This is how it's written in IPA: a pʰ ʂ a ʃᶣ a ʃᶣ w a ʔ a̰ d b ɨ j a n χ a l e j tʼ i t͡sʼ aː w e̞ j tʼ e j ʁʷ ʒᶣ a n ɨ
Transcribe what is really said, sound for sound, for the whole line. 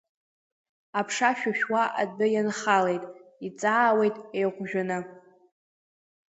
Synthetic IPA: a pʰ ʂ a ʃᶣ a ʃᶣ w a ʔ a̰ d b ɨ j a n χ a l e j tʼ i t͡sʼ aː w e̞ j tʼ e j ʁʷ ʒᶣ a n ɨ